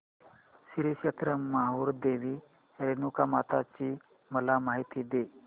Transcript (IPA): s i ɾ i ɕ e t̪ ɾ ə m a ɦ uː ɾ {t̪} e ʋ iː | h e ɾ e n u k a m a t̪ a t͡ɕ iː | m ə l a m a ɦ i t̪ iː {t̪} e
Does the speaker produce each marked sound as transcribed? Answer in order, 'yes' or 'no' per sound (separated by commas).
no, no